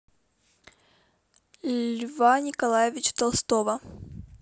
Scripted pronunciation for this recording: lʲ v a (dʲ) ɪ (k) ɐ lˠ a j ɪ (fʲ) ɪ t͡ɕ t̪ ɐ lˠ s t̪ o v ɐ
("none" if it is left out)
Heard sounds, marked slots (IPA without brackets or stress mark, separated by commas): nʲ, k, vʲ